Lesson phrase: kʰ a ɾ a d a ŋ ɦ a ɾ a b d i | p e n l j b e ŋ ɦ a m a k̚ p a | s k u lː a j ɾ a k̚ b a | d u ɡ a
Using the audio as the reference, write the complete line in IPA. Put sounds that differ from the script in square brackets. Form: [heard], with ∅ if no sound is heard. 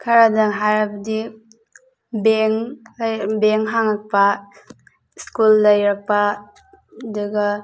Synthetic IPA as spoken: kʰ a ɾ a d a ŋ ɦ a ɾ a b d i | [b] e [ŋ] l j b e ŋ ɦ a [ŋ] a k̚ p a | s k u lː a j ɾ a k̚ [p] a | d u ɡ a